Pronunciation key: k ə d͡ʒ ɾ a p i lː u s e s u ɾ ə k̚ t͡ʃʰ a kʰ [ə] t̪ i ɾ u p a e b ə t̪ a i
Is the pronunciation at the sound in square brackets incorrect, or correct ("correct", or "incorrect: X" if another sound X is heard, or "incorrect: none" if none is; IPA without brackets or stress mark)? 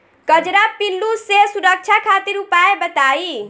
incorrect: a